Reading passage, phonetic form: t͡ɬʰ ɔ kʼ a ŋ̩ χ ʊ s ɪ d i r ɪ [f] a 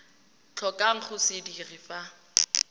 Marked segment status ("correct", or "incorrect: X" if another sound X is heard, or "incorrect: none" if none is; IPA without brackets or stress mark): correct